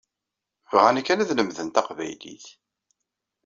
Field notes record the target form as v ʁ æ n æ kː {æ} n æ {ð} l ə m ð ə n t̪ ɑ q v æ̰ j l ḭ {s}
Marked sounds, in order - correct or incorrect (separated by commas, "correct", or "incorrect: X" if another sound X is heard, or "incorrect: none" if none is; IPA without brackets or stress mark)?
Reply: correct, correct, incorrect: θ